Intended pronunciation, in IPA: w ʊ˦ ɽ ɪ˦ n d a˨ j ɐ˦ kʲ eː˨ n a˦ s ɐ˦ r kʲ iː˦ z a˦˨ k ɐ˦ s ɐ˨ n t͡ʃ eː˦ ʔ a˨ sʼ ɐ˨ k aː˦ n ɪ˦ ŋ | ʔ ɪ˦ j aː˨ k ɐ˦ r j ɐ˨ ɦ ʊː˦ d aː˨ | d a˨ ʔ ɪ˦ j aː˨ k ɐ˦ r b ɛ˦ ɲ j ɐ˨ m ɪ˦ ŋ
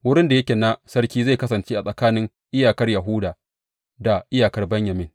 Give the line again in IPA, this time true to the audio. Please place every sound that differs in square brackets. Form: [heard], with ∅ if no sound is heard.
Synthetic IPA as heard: w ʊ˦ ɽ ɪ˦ n d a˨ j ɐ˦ kʲ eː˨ n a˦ s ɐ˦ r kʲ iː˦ z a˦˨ k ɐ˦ s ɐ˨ n t͡ʃ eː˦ ʔ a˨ sʼ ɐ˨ k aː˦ n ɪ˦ ŋ | ʔ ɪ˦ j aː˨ k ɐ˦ r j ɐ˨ ɦ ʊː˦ d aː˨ | d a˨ ʔ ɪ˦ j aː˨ k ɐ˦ r b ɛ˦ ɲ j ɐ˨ m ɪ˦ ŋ